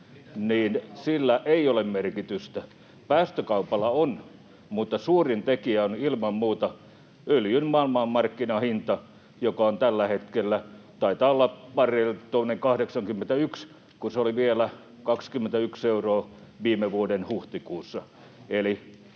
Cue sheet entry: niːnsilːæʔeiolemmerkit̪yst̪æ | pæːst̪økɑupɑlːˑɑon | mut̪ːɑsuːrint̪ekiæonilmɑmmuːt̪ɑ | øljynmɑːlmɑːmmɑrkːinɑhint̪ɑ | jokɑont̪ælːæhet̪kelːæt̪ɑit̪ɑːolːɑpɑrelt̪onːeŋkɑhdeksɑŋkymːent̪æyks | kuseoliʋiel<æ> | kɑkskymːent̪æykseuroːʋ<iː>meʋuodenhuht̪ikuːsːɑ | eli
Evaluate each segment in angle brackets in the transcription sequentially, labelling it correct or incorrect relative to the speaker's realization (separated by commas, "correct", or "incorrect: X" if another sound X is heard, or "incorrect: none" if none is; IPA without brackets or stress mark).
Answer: correct, correct